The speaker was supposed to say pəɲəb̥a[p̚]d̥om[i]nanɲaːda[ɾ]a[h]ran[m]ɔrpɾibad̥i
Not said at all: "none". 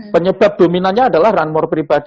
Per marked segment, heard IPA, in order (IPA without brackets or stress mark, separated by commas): p̚, i, l, h, m